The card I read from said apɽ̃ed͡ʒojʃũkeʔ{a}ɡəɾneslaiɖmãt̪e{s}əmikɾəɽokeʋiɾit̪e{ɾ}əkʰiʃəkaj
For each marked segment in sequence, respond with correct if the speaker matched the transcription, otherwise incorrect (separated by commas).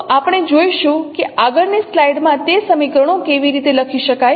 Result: correct, correct, incorrect